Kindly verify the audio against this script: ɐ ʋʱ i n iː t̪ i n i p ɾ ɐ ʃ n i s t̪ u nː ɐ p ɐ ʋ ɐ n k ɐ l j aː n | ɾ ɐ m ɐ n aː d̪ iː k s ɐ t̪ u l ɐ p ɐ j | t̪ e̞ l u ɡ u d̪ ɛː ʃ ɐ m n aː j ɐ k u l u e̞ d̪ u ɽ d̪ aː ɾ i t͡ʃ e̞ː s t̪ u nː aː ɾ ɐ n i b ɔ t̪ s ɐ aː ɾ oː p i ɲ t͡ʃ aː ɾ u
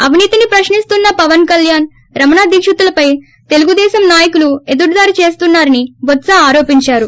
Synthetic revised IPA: ɐ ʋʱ i n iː t̪ i n i p ɾ ɐ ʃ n i s t̪ u nː ɐ p ɐ ʋ ɐ n k ɐ l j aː n | ɾ ɐ m ɐ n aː d̪ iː k ʂ ɐ t̪ u l ɐ p ɐ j | t̪ e̞ l u ɡ u d̪ ɛː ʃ ɐ m n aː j ɐ k u l u e̞ d̪ u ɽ d̪ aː ɾ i t͡ʃ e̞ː s t̪ u nː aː ɾ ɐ n i b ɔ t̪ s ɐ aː ɾ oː p i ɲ t͡ʃ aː ɾ u